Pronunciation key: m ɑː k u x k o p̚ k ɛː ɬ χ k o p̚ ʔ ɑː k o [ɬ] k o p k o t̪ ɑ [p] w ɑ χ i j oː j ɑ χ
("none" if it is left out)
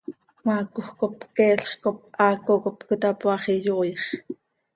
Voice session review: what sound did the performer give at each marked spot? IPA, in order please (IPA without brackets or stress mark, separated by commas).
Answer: none, p